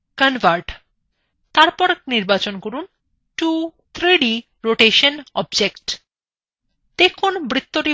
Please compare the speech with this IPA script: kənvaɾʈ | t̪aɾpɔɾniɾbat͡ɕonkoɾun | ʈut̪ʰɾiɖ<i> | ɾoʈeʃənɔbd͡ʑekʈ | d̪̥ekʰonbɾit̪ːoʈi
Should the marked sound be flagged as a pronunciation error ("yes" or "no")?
no